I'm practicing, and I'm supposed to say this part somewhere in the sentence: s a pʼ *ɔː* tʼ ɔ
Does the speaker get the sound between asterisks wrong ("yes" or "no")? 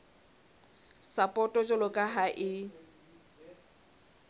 yes